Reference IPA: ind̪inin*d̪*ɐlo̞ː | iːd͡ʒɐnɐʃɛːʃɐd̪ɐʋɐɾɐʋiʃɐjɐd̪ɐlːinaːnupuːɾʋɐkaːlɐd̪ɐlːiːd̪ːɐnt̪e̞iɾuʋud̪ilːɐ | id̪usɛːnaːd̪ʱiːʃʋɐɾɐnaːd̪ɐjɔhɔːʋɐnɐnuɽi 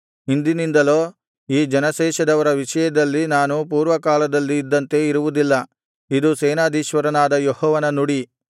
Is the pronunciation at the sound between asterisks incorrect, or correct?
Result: correct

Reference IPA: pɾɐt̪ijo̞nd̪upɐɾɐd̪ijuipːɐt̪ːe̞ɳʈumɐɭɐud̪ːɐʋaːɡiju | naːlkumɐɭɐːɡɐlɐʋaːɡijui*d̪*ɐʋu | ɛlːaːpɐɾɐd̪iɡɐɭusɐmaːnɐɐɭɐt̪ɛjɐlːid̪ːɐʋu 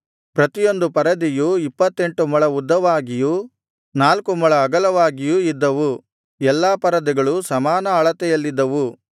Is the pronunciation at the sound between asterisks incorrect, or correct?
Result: incorrect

